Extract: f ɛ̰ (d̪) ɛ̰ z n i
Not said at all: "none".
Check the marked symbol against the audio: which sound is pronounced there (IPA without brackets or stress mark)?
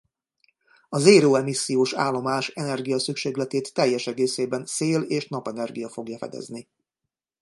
d̪